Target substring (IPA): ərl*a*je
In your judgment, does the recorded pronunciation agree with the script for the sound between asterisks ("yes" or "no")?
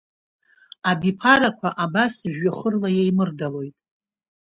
yes